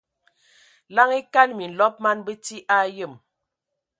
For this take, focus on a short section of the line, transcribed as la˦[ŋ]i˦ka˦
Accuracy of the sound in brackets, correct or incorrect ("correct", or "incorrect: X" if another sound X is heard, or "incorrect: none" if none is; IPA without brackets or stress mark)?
correct